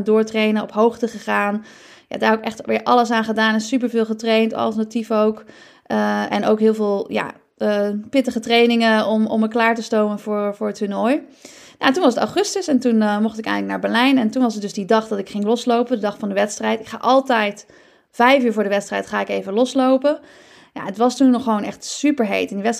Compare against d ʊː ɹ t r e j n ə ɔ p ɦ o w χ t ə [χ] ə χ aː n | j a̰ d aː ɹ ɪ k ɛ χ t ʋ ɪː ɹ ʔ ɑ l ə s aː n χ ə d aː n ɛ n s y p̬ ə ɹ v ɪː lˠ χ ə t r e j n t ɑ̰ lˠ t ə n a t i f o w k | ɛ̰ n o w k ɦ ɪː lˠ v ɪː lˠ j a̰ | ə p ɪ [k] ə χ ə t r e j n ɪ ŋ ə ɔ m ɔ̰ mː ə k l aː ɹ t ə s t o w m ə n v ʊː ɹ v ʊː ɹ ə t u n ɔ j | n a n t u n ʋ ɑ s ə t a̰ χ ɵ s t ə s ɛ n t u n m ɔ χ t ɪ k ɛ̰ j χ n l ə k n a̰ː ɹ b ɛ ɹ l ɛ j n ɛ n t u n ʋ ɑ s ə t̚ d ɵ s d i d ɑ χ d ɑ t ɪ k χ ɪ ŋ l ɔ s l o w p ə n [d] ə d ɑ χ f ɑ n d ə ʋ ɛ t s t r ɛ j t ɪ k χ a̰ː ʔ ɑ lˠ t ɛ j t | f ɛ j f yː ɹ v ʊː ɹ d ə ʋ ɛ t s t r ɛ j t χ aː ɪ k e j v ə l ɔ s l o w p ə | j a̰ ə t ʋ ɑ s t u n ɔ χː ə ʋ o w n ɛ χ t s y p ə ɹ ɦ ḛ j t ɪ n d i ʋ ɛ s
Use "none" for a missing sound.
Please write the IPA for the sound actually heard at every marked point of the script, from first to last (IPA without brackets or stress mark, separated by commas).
χ, t, d